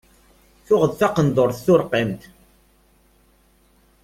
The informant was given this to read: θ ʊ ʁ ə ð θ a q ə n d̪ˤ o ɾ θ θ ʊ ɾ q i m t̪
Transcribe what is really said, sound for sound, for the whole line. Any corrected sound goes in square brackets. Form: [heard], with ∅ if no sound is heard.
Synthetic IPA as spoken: θ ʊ ʁ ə ð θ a q ə n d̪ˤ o ɾ θ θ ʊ ɾ q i m t̪

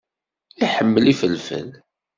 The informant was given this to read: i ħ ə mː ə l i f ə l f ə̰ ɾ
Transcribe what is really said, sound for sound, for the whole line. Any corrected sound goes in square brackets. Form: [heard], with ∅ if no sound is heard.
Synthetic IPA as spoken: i ħ ə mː ə l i f ə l f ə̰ [l]

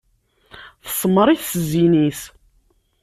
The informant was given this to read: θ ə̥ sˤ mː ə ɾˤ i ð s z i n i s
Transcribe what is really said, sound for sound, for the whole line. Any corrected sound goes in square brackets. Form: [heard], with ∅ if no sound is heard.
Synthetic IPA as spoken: θ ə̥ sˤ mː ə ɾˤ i [θ] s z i n i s

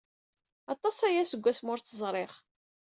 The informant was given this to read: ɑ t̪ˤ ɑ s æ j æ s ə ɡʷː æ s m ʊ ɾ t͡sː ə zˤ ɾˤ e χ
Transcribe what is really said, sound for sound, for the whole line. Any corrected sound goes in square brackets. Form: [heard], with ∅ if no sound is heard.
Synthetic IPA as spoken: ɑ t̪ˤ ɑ s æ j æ s ə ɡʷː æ s m ʊ ɾ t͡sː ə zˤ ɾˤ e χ

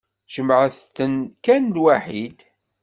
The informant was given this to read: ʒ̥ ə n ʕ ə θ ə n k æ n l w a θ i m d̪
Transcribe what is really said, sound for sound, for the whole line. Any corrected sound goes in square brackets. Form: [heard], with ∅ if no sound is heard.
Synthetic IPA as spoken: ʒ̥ ə [m] ʕ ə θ ə n k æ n l w a [ħ] i [∅] d̪

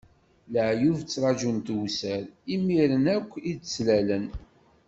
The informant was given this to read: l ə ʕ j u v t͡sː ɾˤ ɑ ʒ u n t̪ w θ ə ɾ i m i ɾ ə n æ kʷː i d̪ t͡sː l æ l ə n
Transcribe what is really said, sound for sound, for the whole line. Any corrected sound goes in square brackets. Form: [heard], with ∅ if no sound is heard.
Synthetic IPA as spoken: l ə ʕ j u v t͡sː ɾˤ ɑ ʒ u n t̪ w [s] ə ɾ i m i ɾ ə n æ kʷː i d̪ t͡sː l æ l ə n

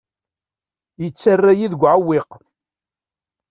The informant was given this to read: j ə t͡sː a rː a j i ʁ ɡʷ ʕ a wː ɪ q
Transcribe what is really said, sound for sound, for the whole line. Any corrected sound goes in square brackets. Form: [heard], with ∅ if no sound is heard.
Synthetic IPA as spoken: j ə t͡sː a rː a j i [ð] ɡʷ ʕ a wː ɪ q

